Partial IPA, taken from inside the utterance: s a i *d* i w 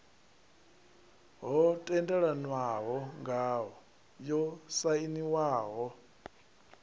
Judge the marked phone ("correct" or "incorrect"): incorrect